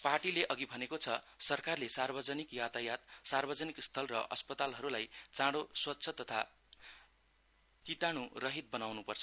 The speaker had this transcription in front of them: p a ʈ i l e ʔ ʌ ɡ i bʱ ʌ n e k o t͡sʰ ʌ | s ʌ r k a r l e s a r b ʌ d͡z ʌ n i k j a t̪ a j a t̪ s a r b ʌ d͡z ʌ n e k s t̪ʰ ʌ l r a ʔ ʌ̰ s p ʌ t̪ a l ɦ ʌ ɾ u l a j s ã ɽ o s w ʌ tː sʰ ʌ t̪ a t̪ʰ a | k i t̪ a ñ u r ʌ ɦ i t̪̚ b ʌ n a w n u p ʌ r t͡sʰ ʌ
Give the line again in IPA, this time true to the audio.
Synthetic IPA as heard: p a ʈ i l e ʔ ʌ ɡ i bʱ ʌ n e k o t͡sʰ ʌ | s ʌ r k a r l e s a r b ʌ d͡z ʌ n i k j a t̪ a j a t̪ s a r b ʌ d͡z ʌ n i k s t̪ʰ ʌ l r ʌ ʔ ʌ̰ s p ʌ t̪ a l ɦ ʌ ɾ u l a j t͡s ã ɽ o s w ʌ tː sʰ ʌ t̪ ʌ t̪ʰ a | k i t̪ a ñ u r ʌ ɦ i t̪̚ b ʌ n a w n u p ʌ r t͡sʰ ʌ

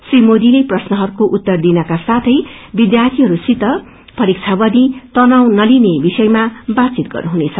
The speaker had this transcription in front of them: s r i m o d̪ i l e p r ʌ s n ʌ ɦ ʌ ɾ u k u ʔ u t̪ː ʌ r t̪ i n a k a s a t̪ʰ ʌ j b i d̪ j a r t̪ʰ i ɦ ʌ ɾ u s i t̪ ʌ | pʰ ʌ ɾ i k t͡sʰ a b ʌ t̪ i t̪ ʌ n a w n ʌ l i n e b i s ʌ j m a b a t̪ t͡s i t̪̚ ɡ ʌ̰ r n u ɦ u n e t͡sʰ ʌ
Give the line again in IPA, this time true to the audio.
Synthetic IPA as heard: s r i m o d̪ i l e p r ʌ s n ʌ ɦ ʌ ɾ u k o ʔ u t̪ː ʌ r d̪ i n ʌ k a s a t̪ʰ ʌ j b i d̪ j a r t̪ʰ i ɦ ʌ ɾ u s i t̪ ʌ | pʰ ʌ ɾ i k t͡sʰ a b ʌ d̪ i t̪ ʌ n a w n ʌ l i n e b i s ʌ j m a b a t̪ t͡s i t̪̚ ɡ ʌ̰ r n u ɦ u n e t͡sʰ ʌ

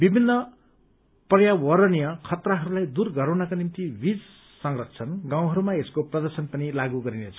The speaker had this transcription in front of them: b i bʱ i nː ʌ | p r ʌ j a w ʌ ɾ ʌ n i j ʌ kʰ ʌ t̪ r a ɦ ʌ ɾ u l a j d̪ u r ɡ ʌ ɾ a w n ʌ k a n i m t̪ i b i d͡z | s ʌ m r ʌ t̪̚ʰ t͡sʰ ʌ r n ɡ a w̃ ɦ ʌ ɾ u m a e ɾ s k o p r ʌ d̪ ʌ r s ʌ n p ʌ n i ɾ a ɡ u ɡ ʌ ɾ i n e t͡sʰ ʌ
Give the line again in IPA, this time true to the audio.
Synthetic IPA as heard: b i bʱ i nː ʌ | p r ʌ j a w ʌ ɾ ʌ n i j ʌ kʰ ʌ t̪ r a ɦ ʌ ɾ u l a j d̪ u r ɡ ʌ ɾ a w n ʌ k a n i m t̪ i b i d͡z | s ʌ ŋ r ʌ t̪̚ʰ t͡sʰ ʌ n ɡ a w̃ ɦ ʌ ɾ u m a e s k o p r ʌ d̪ ʌ r s ʌ n p ʌ n i l a ɡ u ɡ ʌ ɾ i n e t͡sʰ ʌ

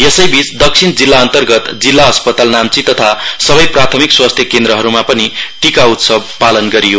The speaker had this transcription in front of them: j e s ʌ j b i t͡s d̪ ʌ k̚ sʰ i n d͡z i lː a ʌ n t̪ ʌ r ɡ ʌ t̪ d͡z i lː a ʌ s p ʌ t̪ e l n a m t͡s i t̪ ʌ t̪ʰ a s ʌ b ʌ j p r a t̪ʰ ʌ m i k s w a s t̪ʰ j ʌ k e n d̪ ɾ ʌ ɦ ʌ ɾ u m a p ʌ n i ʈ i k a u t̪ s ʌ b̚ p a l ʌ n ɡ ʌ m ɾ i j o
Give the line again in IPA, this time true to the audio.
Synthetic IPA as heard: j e s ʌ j b i t͡s d̪ ʌ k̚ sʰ i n d͡z i lː a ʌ n t̪ ʌ r ɡ ʌ t̪ d͡z i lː a ʌ s p ʌ t̪ a l n a m t͡s i t̪ ʌ t̪ʰ a s ʌ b ʌ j p r a t̪ʰ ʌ m i k s w a s t̪ʰ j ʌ k e n d̪ ɾ ʌ ɦ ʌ ɾ u m a p ʌ n i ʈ i k a u t̪ s ʌ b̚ p a l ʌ n ɡ ʌ ɾ i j o

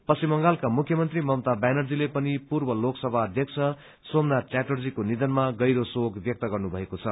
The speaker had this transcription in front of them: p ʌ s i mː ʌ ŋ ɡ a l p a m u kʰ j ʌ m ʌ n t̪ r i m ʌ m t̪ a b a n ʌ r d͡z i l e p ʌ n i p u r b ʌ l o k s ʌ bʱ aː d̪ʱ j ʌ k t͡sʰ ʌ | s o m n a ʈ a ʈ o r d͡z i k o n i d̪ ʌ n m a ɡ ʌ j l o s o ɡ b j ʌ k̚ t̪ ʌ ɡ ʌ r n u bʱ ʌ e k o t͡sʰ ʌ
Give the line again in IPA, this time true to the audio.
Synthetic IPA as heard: p ʌ s i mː ʌ ŋ ɡ a l k a m u kʰ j ʌ m ʌ n t̪ r i m ʌ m t̪ a b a n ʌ r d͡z i l e p ʌ n i p u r b ʌ l o k s ʌ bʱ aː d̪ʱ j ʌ k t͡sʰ ʌ | s o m n a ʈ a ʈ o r d͡z i k o n i d̪ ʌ n m a ɡ ʌ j ɾ o s o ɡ b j ʌ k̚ t̪ ʌ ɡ ʌ r n u bʱ ʌ e k o t͡sʰ ʌ

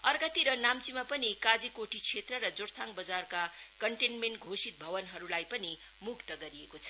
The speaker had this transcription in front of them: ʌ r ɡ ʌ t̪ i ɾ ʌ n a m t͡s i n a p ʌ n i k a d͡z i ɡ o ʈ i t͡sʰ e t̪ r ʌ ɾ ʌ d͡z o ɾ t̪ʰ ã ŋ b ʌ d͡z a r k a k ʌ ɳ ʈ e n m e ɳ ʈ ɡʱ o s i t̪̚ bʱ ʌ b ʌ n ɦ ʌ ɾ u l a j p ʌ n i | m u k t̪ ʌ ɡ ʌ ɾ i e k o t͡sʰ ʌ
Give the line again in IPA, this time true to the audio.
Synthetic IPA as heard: ʌ r ɡ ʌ t̪ i ɾ ʌ n a m t͡s i m a p ʌ n i k a d͡z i k o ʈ i t͡sʰ e t̪ r ʌ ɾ ʌ d͡z o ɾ t̪ʰ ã ŋ b ʌ d͡z a r k a k ʌ ɳ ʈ e n m e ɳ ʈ ɡʱ o s i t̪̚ bʱ ʌ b ʌ n ɦ ʌ ɾ u l a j p ʌ n i | m u k t̪ ʌ ɡ ʌ ɾ i e k o t͡sʰ ʌ

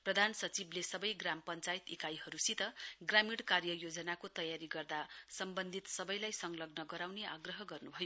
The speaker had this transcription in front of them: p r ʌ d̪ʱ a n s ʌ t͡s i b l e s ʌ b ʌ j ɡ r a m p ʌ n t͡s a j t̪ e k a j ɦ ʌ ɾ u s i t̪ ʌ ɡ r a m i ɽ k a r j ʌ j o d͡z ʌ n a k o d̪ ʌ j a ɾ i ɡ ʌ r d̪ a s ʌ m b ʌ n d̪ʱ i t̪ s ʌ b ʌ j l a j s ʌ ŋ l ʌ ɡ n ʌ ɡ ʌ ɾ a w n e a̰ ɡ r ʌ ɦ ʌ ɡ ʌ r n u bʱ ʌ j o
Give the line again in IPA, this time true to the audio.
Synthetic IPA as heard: p r ʌ d̪ʱ a n s ʌ t͡s i b l e s ʌ b ʌ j ɡ r a m p ʌ n t͡s a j t̪ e k a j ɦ ʌ ɾ u s i t̪ ʌ ɡ r a m i ɽ k a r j ʌ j o d͡z ʌ n a k o t̪ ʌ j a ɾ i ɡ ʌ r d̪ a s ʌ m b ʌ n d̪ʱ i t̪ s ʌ b ʌ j l a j s ʌ ŋ l ʌ ɡ n ʌ ɡ ʌ ɾ a w n e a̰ ɡ r ʌ ɦ ʌ ɡ ʌ r n u bʱ ʌ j o

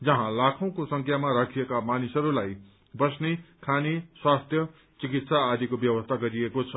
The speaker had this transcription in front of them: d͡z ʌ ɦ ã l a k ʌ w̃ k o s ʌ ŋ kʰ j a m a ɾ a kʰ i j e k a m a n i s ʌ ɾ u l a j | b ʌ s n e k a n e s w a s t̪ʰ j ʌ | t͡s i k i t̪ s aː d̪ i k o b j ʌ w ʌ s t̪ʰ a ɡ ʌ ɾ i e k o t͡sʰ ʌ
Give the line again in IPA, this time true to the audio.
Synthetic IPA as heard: d͡z ʌ ɦ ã l a kʰ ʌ w̃ k o s ʌ ŋ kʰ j a m a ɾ a kʰ i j e k a m a n i s ʌ ɾ u l a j | b ʌ s n e kʰ a n e s w a s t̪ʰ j ʌ | t͡s i k i t̪ s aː d̪ i k o b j ʌ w ʌ s t̪ʰ a ɡ ʌ ɾ i e k o t͡sʰ ʌ

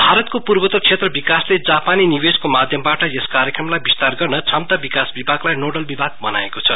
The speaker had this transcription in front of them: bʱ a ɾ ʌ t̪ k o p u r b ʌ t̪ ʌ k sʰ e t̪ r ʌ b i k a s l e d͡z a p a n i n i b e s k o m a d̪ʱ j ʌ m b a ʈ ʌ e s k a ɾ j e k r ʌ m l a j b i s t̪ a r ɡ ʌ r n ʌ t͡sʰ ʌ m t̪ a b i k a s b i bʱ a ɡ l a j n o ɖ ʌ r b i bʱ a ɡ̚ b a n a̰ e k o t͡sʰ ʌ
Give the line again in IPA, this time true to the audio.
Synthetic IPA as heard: bʱ a ɾ ʌ t̪ k o p u r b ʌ t̪ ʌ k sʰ e t̪ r ʌ b i k a s l e d͡z a p a n i n i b e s k o m a d̪ʱ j ʌ m b a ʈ ʌ e s k a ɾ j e k r ʌ m l a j b i s t̪ a r ɡ ʌ r n ʌ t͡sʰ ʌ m t̪ a b i k a s b i bʱ a ɡ l a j n o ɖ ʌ l b i bʱ a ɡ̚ b ʌ n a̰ e k o t͡sʰ ʌ

